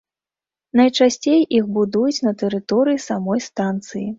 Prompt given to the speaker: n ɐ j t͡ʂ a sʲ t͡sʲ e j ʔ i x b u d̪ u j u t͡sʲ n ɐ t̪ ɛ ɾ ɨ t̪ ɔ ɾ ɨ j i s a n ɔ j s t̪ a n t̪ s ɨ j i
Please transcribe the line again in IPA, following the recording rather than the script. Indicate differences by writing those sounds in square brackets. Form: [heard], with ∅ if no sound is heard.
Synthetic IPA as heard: n ɐ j t͡ʂ a sʲ t͡sʲ e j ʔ i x b u d̪ u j u t͡sʲ n ɐ t̪ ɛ ɾ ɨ t̪ ɔ ɾ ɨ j i s a [m] ɔ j s t̪ a n t̪ s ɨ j i